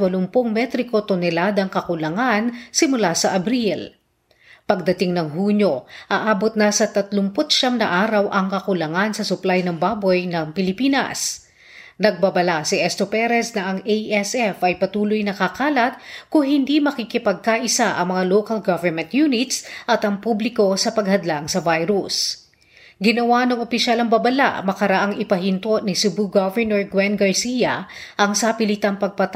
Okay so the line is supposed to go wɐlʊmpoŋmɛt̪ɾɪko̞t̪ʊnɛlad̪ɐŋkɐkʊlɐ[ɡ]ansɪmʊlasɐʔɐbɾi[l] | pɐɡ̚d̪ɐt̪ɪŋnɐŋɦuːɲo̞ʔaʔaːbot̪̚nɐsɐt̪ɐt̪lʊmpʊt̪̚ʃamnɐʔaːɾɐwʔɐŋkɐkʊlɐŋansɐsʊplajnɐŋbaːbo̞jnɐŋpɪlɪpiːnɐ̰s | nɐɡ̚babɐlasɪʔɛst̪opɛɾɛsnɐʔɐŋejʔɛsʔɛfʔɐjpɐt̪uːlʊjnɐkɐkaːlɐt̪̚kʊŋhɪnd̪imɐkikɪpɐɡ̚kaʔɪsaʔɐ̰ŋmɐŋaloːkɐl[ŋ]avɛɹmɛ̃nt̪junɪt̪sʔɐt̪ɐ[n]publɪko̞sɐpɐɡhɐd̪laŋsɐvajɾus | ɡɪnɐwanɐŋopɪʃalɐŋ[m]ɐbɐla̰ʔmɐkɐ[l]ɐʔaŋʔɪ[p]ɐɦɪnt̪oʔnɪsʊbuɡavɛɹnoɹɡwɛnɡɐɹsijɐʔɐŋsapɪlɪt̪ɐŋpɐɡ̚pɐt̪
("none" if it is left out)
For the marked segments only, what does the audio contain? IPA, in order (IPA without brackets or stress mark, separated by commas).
ŋ, l, ɡ, ŋ, b, ɾ, p